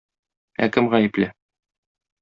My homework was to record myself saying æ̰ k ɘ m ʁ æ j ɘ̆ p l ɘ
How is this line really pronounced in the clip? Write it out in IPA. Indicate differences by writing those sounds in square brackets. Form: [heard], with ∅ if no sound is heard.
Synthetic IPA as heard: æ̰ k ɘ m ʁ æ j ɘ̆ p l ɘ

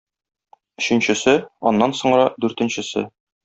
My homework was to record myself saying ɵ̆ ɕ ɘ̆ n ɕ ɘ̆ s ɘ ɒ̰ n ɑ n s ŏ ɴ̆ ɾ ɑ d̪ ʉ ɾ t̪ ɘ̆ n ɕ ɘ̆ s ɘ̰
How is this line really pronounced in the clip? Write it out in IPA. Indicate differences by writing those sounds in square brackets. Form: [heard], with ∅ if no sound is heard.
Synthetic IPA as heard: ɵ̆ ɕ ɘ̆ n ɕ ɘ̆ s ɘ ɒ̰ [nː] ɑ n s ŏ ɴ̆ ɾ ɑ d̪ ʉ ɾ t̪ ɘ̆ n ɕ ɘ̆ s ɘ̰

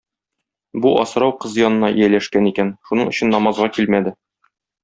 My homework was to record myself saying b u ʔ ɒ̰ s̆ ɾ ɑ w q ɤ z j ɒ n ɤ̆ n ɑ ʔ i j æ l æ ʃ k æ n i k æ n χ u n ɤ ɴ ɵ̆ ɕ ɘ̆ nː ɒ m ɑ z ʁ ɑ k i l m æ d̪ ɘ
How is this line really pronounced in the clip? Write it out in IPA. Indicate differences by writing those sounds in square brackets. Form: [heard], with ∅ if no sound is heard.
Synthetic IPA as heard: b u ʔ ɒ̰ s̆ ɾ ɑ w q ɤ z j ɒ n ɤ̆ n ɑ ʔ i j æ l æ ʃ k æ n i k æ n [ʃ] u n ɤ ɴ ɵ̆ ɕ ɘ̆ nː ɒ m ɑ z ʁ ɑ k i l m æ d̪ ɘ

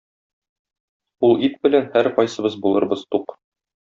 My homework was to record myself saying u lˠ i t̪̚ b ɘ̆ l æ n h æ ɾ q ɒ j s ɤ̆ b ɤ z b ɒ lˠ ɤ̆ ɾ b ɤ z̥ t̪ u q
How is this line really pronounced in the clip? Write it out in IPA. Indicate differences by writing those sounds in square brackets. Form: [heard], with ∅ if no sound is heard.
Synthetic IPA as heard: u lˠ i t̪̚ b ɘ̆ l æ n h æ ɾ q ɒ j s ɤ̆ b ɤ z b [u] lˠ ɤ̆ ɾ b ɤ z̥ t̪ u q

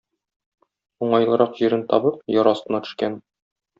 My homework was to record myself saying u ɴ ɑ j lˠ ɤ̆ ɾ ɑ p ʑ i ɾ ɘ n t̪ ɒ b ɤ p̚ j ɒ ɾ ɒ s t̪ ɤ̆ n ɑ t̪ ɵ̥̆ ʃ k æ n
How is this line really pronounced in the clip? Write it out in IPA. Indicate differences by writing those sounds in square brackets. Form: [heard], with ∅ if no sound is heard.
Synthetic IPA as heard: u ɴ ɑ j lˠ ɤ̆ ɾ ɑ [q] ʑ i ɾ ɘ n t̪ ɒ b ɤ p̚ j ɒ ɾ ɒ s t̪ ɤ̆ n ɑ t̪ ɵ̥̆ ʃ k æ n

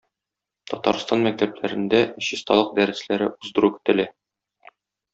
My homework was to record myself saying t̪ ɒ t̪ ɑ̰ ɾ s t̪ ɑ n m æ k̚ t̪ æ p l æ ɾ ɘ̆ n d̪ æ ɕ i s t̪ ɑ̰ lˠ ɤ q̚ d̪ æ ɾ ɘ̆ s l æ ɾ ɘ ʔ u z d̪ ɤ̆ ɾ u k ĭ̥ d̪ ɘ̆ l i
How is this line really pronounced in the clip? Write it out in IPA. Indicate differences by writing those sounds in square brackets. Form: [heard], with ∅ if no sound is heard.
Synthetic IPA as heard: t̪ ɒ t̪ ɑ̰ ɾ s t̪ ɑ n m æ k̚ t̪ æ p l æ ɾ ɘ̆ n d̪ æ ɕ i s t̪ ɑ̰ lˠ ɤ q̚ d̪ æ ɾ ɘ̆ s l æ ɾ ɘ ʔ u z d̪ ɤ̆ ɾ u k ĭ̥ [t̪] ɘ̆ l [æ]

